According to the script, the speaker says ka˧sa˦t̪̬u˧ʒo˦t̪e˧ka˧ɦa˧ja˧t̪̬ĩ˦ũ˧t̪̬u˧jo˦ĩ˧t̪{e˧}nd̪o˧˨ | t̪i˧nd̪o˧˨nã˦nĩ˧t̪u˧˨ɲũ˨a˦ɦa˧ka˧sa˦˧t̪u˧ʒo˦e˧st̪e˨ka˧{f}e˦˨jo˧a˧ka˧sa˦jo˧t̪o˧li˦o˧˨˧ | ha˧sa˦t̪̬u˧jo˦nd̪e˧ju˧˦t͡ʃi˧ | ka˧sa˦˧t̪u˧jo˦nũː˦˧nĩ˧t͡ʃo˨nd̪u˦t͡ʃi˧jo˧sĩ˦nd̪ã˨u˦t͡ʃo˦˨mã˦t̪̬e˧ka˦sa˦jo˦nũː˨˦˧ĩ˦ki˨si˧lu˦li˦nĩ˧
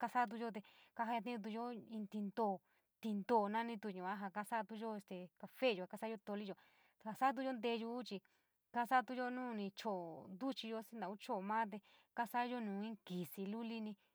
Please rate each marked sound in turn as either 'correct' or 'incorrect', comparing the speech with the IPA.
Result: incorrect: i˧, correct

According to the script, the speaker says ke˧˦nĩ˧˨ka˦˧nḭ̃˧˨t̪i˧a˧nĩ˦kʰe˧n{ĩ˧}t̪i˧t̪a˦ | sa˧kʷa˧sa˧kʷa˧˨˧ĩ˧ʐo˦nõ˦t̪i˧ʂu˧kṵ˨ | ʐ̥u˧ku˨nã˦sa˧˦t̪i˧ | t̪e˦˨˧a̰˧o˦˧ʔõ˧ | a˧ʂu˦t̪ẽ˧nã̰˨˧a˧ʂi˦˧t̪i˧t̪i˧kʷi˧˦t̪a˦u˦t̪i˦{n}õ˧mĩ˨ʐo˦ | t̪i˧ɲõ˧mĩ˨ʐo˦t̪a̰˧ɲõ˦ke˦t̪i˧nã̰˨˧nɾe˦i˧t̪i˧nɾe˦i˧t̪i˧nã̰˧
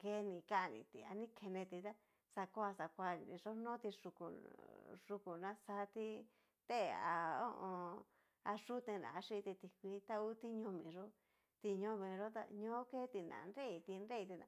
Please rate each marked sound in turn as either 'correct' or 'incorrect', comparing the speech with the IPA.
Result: incorrect: ẽ˧, incorrect: ɲ

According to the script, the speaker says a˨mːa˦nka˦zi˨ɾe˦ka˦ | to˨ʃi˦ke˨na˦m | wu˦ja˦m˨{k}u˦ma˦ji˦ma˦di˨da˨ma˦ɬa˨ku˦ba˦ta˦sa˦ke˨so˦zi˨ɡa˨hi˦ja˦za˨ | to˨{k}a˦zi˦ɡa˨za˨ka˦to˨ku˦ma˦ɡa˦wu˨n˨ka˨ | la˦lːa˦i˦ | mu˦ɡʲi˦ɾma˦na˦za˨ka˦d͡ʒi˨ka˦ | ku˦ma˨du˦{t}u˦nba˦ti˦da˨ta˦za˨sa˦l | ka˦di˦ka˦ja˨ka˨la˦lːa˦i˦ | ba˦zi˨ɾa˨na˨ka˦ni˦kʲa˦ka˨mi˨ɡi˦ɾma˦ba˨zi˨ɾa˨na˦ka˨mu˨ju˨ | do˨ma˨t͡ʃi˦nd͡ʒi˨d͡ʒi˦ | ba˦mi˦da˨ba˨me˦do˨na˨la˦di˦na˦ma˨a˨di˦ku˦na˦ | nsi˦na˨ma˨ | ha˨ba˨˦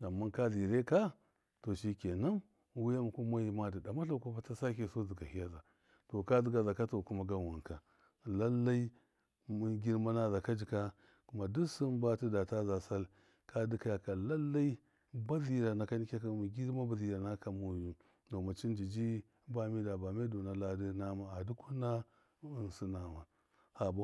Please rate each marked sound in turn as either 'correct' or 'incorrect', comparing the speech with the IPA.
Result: correct, correct, incorrect: s

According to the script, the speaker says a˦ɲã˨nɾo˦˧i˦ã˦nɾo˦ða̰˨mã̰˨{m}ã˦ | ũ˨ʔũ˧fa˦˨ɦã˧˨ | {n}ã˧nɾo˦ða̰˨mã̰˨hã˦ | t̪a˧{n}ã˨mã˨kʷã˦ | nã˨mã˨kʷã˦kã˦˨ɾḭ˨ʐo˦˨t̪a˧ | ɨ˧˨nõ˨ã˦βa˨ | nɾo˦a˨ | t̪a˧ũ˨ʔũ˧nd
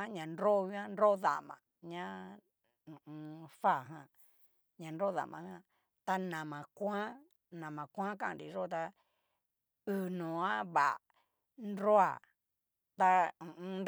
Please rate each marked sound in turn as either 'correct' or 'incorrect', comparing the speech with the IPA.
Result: incorrect: ɲ, incorrect: ɲ, correct

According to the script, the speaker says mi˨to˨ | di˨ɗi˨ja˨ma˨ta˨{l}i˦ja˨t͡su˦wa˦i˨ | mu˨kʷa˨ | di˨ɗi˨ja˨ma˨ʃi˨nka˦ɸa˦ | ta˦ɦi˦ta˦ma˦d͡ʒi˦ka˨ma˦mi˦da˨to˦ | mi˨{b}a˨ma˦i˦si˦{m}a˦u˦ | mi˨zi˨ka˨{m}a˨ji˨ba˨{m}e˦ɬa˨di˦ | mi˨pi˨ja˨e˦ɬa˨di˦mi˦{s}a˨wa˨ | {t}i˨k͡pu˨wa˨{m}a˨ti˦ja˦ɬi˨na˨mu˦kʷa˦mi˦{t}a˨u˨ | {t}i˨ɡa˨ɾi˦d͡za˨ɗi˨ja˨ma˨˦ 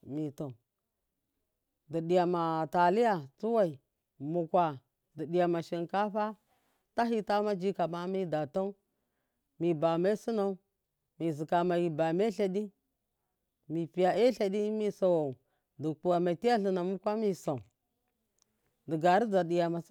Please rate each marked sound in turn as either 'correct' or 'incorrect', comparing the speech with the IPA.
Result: correct, correct, incorrect: n, correct, correct, correct, incorrect: d, correct, incorrect: s, incorrect: d

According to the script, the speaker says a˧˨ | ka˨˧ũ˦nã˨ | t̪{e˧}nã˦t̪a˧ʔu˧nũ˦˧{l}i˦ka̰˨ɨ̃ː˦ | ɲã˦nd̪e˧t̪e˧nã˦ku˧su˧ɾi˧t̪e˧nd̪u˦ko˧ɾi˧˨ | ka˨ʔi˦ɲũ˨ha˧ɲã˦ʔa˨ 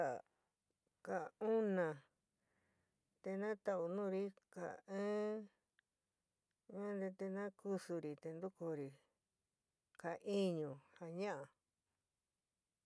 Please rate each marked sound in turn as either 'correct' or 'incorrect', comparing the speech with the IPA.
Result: correct, incorrect: ɾ

